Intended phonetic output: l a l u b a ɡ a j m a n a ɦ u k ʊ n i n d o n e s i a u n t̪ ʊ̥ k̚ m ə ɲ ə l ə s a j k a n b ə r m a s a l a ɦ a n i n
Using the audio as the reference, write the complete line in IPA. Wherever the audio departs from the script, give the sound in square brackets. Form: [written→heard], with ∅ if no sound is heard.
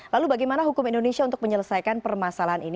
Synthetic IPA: l a l u b a ɡ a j m a n a ɦ u k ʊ [n→m] i n d o n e s i a u n t̪ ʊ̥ k̚ m ə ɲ ə l ə s a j k a n [b→p] ə r m a s a l a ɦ a n i n